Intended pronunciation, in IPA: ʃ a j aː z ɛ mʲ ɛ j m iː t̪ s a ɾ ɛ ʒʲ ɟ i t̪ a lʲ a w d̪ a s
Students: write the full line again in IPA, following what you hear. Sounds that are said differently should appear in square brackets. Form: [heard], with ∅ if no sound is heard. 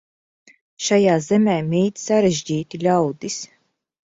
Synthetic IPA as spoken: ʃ a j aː z ɛ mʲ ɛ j m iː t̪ s a ɾ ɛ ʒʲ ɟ [iː] t̪ [i] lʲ a w d̪ [i] s